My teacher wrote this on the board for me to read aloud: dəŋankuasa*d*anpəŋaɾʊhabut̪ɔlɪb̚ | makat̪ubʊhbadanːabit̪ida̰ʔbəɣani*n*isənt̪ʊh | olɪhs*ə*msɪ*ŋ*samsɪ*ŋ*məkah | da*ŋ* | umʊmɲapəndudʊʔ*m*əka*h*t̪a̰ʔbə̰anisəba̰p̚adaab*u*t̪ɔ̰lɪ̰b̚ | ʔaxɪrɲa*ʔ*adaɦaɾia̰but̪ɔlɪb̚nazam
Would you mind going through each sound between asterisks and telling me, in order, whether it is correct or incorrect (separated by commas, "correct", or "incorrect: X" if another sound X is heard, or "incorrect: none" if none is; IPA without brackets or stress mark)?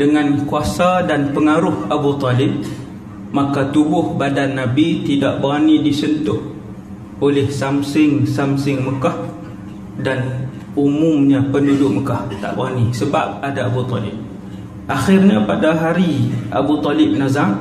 correct, incorrect: d, incorrect: a, correct, correct, incorrect: n, correct, correct, correct, incorrect: p